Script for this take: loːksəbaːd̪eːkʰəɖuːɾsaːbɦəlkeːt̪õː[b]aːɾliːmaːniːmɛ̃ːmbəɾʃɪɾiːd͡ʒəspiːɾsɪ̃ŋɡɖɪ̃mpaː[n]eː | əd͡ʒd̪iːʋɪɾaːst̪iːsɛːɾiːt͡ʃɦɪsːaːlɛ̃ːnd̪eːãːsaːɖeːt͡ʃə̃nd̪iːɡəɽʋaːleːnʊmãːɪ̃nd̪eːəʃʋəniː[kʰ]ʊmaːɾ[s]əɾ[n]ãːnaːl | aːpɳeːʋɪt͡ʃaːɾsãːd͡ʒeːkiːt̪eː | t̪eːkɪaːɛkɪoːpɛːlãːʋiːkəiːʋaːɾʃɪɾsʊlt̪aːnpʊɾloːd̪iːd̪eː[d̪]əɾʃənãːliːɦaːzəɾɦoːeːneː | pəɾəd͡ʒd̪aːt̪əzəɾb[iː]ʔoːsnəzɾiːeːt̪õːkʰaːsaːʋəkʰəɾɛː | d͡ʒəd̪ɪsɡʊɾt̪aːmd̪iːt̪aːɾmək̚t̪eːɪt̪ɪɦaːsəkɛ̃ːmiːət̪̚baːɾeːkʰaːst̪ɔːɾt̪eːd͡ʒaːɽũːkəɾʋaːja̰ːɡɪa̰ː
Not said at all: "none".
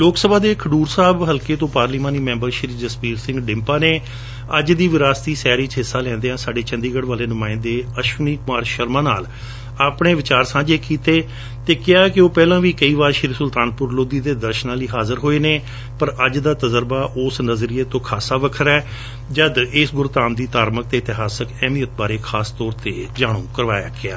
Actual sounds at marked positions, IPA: p, n, k, ʃ, m, d̪, aː

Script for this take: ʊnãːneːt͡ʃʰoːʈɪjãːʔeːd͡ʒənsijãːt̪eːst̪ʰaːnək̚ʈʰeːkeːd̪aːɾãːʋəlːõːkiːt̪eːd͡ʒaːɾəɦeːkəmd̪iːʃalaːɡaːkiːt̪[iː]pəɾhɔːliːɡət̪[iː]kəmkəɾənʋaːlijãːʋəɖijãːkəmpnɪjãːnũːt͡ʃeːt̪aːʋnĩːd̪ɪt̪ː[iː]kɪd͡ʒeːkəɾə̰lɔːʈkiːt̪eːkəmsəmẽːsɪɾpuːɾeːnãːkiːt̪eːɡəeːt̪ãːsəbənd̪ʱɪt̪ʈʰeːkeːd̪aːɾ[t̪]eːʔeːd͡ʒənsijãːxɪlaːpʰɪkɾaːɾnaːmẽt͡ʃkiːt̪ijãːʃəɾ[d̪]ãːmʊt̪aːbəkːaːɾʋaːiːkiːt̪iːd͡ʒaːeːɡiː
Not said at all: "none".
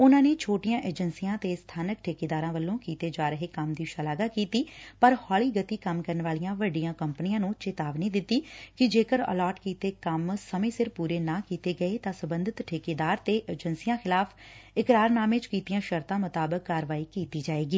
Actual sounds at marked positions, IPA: iː, iː, iː, t̪, t̪

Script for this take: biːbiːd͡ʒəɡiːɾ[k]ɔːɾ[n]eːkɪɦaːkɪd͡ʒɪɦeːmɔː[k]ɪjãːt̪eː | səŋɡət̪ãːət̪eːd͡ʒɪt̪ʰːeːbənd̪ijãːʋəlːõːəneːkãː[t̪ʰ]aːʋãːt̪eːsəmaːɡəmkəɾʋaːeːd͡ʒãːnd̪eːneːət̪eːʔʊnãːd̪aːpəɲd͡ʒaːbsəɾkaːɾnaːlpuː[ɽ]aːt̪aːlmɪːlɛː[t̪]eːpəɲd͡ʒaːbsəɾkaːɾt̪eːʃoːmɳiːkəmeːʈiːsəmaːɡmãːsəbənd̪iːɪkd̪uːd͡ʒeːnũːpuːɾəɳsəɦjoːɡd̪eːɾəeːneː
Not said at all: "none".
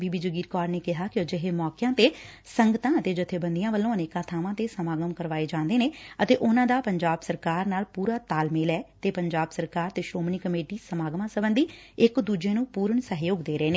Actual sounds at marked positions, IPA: k, n, k, t̪ʰ, ɾ, t̪

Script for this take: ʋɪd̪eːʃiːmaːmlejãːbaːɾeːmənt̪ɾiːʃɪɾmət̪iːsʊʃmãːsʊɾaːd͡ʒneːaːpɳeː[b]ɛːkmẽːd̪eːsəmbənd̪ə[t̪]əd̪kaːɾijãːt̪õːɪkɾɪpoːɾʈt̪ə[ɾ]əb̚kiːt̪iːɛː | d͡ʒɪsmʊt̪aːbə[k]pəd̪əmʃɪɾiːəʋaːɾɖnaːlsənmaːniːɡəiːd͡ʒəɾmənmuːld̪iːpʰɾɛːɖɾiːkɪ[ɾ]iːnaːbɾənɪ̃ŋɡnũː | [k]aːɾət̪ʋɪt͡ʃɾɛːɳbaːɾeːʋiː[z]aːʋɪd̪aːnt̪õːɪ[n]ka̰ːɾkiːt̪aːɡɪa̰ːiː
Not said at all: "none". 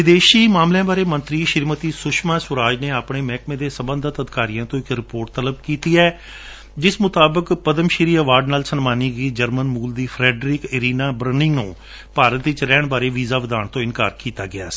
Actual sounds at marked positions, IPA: m, t̪, l, k, ɾ, p, z, n

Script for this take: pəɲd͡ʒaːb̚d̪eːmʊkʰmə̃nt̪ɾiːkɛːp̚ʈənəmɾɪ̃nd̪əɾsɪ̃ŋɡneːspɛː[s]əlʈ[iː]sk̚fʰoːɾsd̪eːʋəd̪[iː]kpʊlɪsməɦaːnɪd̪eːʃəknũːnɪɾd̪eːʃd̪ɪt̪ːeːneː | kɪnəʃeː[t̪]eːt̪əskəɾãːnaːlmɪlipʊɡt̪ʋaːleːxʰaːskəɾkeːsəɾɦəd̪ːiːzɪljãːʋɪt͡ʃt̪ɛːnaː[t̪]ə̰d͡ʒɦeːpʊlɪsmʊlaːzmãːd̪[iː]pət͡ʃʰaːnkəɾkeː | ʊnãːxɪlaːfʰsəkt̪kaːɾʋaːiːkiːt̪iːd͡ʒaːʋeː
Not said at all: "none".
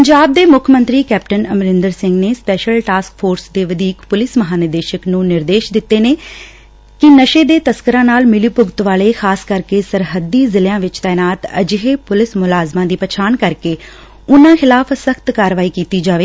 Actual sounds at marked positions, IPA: ʃ, aː, iː, d̪, t̪, iː

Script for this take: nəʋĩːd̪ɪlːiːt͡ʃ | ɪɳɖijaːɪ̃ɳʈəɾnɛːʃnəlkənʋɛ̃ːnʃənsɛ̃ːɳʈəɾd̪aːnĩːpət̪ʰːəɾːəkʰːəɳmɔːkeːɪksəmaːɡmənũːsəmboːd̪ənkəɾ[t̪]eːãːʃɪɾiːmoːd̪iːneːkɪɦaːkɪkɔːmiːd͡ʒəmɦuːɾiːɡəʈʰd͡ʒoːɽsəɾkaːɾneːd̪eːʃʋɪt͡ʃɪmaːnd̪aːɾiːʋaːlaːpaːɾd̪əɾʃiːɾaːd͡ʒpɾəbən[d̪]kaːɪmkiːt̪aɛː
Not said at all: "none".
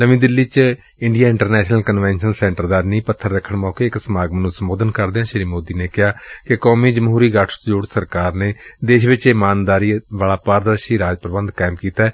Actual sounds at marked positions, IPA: d̪, d̪

